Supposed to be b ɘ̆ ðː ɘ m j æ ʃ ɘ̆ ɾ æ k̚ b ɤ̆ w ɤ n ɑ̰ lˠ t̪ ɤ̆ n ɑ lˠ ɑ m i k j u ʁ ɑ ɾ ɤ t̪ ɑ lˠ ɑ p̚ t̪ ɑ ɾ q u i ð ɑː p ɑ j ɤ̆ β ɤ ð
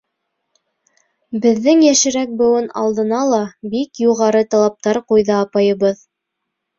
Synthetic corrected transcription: b ɘ̆ ðː ɘ ŋ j æ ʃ ɘ̆ ɾ æ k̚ b ɤ̆ w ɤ n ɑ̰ lˠ d̪ ɤ̆ n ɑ lˠ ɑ b i k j u ʁ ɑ ɾ ɤ t̪ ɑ lˠ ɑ p̚ t̪ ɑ ɾ q u j ð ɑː p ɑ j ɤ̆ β ɤ ð

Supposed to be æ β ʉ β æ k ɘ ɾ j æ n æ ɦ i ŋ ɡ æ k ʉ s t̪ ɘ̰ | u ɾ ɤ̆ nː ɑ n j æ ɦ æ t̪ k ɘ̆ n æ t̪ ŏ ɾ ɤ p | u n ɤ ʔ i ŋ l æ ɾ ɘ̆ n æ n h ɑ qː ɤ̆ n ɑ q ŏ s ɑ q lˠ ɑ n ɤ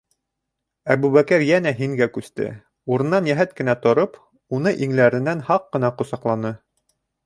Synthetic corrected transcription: æ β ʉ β æ k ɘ ɾ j æ n æ ɦ i ŋ ɡ æ k ʉ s t̪ ɘ̰ | u ɾ ɤ̆ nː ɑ n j æ ɦ æ t̪ k ɘ̆ n æ t̪ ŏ ɾ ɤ p | u n ɤ ʔ i ŋ l æ ɾ ɘ̆ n æ n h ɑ qː ɤ̆ n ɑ q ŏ s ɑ q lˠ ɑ n ɤ

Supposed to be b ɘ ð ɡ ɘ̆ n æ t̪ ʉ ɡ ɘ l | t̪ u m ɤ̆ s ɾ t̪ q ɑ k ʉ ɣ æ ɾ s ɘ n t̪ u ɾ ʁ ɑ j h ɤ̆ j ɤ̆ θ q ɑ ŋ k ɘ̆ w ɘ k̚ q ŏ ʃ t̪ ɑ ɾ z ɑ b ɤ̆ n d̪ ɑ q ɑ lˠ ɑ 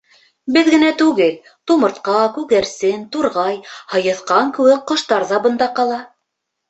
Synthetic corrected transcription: b ɘ ð ɡ ɘ̆ n æ t̪ ʉ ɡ ɘ l | t̪ u m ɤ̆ ɾ t̪ q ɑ k ʉ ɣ æ ɾ s ɘ n t̪ u ɾ ʁ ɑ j h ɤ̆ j ɤ̆ θ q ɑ ŋ k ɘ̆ w ɘ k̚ q ŏ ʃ t̪ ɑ ɾ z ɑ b ɤ̆ n d̪ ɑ q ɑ lˠ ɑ

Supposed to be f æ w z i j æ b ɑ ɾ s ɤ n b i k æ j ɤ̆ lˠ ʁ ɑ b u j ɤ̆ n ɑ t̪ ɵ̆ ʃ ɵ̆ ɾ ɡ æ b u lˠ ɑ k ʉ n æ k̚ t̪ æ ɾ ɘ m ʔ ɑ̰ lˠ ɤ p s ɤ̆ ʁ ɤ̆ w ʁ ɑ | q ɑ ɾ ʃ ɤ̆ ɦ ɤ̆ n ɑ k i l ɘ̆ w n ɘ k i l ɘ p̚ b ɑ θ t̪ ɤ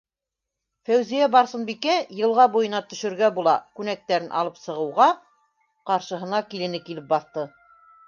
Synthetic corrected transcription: f æ w z i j æ b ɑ ɾ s ɤ n b i k æ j ɤ̆ lˠ ʁ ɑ b u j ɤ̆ n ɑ t̪ ɵ̆ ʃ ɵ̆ ɾ ɡ æ b u lˠ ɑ k ʉ n æ k̚ t̪ æ ɾ ɘ n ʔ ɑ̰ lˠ ɤ p s ɤ̆ ʁ ɤ̆ w ʁ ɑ | q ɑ ɾ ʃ ɤ̆ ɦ ɤ̆ n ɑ k i l ɘ̆ n ɘ k i l ɘ p̚ b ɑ θ t̪ ɤ

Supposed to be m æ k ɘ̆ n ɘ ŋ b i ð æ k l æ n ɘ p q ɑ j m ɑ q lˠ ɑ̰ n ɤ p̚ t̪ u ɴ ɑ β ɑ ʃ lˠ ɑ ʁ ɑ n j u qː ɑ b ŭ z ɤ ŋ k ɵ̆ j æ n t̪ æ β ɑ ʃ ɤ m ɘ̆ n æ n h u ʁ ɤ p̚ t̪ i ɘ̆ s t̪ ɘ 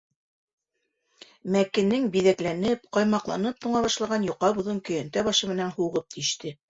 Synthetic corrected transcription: m æ k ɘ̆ n ɘ ŋ b i ð æ k l æ n ɘ p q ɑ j m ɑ q lˠ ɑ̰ n ɤ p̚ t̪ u ɴ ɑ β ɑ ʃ lˠ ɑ ʁ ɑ n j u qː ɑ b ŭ ð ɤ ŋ k ɵ̆ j æ n t̪ æ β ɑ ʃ ɤ m ɘ̆ n æ n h u ʁ ɤ p̚ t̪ i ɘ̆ ʃ t̪ ɘ

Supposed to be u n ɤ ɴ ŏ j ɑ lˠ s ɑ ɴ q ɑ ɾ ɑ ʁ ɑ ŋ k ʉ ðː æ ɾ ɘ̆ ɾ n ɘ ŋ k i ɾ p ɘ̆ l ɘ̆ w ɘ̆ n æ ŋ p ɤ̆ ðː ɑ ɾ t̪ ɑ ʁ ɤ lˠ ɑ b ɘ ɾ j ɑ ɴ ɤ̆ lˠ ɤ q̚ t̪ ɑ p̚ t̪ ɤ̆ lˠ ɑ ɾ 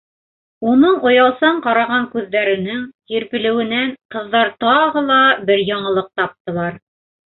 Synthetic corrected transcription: u n ɤ ɴ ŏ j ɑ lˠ s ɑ ɴ q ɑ ɾ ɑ ʁ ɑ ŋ k ʉ ðː æ ɾ ɘ̆ n ɘ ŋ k i ɾ p ɘ̆ l ɘ̆ w ɘ̆ n æ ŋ q ɤ̆ ðː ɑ ɾ t̪ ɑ ʁ ɤ lˠ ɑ b ɘ ɾ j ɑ ɴ ɤ̆ lˠ ɤ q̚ t̪ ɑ p̚ t̪ ɤ̆ lˠ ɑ ɾ

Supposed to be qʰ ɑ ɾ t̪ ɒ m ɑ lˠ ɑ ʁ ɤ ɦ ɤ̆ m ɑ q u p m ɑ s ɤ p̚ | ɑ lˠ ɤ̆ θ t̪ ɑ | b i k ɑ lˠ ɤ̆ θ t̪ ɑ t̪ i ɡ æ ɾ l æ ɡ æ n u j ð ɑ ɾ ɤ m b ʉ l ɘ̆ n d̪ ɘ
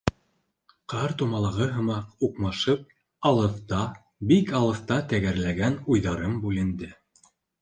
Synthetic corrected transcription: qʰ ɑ ɾ t̪ u m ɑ lˠ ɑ ʁ ɤ ɦ ɤ̆ m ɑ q u q m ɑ ʃ ɤ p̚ | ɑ lˠ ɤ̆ θ t̪ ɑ | b i k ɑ lˠ ɤ̆ θ t̪ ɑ t̪ æ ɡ æ ɾ l æ ɡ æ n u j ð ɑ ɾ ɤ m b ʉ l ɘ̆ n d̪ ɘ

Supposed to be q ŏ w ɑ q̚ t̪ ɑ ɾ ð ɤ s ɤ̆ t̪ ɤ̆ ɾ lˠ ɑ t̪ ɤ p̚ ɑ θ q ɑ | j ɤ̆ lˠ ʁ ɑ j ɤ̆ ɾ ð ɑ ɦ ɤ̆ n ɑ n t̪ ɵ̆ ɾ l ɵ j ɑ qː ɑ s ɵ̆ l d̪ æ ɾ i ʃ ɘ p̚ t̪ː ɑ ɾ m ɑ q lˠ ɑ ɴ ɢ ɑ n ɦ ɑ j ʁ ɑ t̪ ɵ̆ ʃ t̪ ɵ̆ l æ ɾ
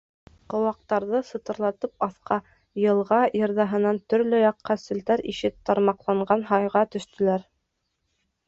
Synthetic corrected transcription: q ŏ w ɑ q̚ t̪ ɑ ɾ ð ɤ s ɤ̆ t̪ ɤ̆ ɾ lˠ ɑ t̪ ɤ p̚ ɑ θ q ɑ | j ɤ̆ lˠ ʁ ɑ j ɤ̆ ɾ ð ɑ ɦ ɤ̆ n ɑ n t̪ ɵ̆ ɾ l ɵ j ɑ qː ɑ s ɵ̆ l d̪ æ ɾ i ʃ ɘ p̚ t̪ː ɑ ɾ m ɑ q lˠ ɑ ɴ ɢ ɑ n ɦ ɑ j ʁ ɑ t̪ ɵ̆ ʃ t̪ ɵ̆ l æ ɾ

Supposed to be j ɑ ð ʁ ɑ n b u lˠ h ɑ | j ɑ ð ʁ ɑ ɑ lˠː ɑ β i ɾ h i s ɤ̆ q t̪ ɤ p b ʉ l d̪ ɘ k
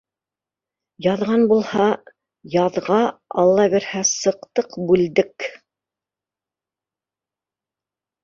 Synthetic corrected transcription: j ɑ ð ʁ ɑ n b u lˠ h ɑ | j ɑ ð ʁ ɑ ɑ lˠː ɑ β i ɾ h æ s ɤ̆ q t̪ ɤ q b ʉ l d̪ ɘ k

